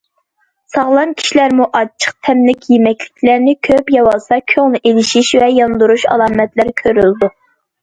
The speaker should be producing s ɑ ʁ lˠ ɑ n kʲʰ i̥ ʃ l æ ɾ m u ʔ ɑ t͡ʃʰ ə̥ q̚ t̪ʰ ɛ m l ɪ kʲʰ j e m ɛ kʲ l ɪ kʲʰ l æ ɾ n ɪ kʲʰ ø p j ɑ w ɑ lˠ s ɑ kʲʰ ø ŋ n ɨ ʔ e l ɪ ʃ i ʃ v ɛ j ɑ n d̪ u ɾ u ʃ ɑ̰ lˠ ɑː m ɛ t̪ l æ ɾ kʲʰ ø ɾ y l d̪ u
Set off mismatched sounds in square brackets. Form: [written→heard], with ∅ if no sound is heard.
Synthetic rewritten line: s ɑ ʁ lˠ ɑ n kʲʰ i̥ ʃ l æ ɾ m u ʔ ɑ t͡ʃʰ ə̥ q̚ t̪ʰ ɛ m l ɪ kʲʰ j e m ɛ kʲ l ɪ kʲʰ l æ ɾ n ɪ kʲʰ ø p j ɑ w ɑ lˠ s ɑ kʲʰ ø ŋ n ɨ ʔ e l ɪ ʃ i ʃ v ɛ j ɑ n d̪ u ɾ u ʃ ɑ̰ lˠ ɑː m ɛ t̪ l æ ɾ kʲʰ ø ɾ y l d̪ u